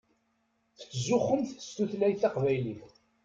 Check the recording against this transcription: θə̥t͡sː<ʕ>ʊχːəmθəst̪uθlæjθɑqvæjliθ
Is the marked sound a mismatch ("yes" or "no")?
yes